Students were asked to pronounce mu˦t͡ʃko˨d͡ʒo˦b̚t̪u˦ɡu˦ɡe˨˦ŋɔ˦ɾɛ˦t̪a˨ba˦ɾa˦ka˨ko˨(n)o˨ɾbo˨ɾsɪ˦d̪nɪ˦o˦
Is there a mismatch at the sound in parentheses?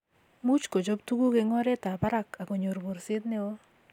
yes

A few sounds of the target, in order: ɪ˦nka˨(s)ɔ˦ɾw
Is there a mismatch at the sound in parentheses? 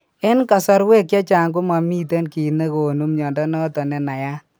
no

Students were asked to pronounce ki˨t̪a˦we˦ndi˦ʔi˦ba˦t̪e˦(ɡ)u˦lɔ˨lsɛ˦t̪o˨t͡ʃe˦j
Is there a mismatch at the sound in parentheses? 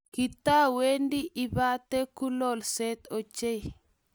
yes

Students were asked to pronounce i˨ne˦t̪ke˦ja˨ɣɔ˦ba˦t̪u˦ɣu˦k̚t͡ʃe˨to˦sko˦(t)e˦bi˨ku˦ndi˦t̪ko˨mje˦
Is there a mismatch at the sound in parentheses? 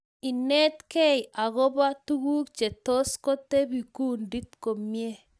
no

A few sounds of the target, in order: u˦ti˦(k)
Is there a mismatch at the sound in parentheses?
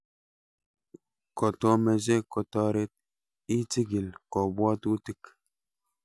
no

